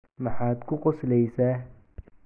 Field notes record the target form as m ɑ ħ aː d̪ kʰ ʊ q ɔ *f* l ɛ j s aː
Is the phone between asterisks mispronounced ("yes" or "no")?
yes